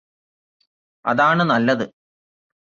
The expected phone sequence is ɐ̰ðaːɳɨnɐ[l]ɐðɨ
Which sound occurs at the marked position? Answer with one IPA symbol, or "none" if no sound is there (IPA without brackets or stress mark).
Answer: lː